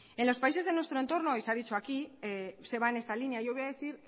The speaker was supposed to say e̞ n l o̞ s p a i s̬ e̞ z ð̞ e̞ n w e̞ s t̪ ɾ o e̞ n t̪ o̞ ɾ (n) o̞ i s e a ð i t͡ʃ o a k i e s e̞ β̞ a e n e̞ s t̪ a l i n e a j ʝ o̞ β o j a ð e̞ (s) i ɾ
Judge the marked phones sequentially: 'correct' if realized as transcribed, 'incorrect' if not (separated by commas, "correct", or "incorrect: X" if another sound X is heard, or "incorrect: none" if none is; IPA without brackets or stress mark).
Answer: correct, incorrect: θ